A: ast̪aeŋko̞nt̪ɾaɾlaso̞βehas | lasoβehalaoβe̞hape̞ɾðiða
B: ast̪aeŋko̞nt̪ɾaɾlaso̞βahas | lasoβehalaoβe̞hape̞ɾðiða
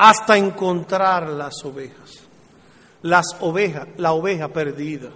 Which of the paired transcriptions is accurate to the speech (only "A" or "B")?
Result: A